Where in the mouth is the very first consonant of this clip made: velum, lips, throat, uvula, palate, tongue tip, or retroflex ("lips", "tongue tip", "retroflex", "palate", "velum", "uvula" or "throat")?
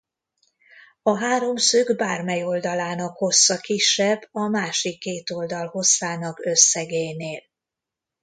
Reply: throat